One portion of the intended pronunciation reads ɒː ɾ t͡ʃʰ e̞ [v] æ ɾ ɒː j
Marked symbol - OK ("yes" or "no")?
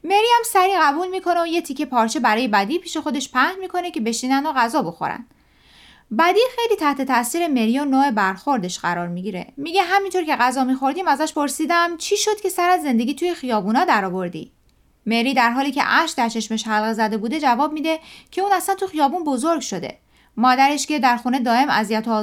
no